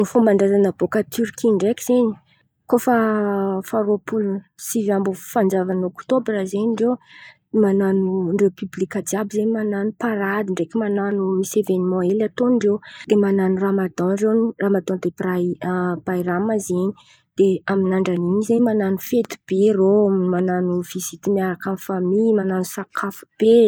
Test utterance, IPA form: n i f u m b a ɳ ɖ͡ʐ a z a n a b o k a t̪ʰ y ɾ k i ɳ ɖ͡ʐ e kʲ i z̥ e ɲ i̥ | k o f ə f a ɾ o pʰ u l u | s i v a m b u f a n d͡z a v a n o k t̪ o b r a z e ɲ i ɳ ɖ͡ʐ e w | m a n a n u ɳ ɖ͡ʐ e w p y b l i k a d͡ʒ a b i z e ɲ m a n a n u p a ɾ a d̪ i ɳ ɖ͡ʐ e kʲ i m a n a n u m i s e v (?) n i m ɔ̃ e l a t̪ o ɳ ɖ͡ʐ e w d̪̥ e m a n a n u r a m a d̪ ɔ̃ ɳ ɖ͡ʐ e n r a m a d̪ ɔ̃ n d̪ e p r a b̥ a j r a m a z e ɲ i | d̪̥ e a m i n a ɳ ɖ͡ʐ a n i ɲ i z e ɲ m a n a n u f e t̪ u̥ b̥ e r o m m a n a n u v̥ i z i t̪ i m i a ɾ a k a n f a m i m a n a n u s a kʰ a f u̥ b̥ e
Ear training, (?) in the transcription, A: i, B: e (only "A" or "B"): B